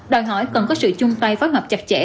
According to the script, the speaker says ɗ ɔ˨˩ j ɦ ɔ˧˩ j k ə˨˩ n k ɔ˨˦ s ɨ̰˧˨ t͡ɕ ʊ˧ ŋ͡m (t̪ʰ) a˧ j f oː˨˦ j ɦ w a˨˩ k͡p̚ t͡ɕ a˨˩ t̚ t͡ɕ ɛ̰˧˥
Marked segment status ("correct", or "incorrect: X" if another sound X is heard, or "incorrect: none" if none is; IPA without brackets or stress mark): incorrect: t̪